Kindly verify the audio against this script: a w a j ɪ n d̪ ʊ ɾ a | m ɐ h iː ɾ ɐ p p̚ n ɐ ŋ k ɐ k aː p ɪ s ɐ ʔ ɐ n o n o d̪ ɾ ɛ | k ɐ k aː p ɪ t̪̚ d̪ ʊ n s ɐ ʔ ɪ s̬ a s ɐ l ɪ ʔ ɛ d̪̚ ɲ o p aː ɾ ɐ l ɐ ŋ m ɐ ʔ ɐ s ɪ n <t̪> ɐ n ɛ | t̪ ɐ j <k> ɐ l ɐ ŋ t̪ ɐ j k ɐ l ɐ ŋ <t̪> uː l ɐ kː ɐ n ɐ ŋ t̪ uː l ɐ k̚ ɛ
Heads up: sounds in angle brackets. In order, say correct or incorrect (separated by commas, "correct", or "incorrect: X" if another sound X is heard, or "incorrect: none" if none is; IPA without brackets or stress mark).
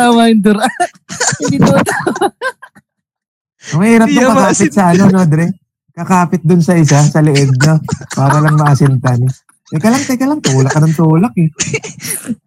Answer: correct, correct, correct